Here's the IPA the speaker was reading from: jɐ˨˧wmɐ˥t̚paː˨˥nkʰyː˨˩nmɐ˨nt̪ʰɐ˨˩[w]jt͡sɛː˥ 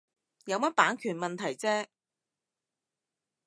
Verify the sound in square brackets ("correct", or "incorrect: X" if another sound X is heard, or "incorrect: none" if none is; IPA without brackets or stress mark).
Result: incorrect: none